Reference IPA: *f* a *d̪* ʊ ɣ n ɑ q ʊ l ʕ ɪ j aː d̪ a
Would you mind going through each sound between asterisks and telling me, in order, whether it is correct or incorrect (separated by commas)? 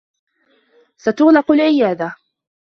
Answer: incorrect, incorrect